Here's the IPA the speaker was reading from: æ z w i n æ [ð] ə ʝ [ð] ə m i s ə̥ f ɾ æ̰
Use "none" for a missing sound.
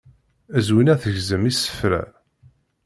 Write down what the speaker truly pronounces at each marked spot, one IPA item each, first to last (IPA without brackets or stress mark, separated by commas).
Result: θ, z